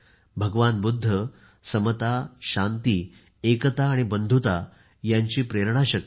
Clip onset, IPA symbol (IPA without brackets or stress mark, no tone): bʱ